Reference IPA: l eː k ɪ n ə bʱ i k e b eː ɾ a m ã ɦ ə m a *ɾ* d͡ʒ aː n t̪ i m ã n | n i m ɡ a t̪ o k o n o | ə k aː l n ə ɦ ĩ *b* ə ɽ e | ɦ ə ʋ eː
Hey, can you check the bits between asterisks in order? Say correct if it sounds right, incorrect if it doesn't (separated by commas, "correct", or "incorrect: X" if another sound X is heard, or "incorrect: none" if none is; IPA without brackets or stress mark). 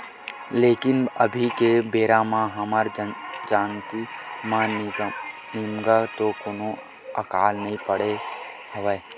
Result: correct, incorrect: p